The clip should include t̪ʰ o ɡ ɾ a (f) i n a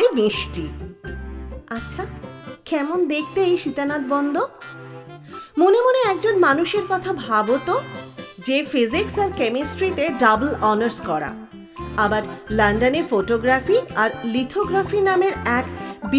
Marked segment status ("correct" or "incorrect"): correct